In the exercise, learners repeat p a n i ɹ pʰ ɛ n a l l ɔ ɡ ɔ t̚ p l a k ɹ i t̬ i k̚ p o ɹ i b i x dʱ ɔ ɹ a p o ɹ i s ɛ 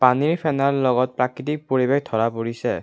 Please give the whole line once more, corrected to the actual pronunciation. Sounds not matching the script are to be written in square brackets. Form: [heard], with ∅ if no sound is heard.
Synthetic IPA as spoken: p a n i ɹ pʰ ɛ n a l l ɔ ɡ ɔ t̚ p [ɹ] a k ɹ i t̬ i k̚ p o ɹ i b [e] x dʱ ɔ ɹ a p o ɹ i s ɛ